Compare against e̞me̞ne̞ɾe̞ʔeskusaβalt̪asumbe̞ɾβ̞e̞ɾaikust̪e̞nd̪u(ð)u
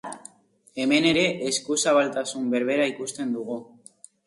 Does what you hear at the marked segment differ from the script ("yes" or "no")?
yes